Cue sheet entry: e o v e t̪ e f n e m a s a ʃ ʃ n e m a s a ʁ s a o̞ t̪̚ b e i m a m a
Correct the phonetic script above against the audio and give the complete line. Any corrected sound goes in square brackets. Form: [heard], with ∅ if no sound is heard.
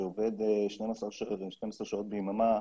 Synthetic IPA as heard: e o v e [d̪] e [ʃ] n e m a s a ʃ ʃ n e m a s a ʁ [ʃ] a o̞ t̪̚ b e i m a m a